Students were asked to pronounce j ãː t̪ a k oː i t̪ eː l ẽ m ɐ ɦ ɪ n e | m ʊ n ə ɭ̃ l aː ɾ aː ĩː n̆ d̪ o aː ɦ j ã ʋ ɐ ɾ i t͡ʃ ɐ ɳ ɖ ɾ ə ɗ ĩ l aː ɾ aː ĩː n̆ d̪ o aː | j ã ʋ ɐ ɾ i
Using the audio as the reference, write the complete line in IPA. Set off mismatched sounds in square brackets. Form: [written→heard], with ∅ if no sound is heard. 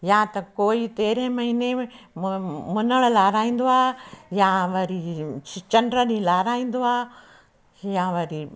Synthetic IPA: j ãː t̪ [a→ɐ] k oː i t̪ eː [l→ɾ] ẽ m ɐ ɦ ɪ n e | m ʊ n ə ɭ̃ l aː ɾ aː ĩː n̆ d̪ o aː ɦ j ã ʋ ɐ ɾ i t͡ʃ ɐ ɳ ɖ ɾ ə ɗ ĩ l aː ɾ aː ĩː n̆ d̪ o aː | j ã ʋ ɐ ɾ i